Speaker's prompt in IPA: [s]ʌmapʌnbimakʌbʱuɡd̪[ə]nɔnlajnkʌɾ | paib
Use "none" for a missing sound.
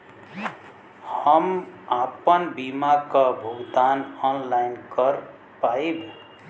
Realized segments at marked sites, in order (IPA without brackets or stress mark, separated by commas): h, a